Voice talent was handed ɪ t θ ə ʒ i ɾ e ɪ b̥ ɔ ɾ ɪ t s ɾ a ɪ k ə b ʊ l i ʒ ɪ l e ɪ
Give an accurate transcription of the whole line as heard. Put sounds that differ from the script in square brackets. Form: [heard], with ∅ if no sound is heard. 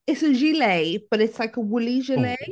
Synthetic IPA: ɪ t [s] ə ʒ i [l] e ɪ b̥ [ʌ] ɾ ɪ t s [l] a ɪ k ə [w] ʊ l i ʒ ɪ l e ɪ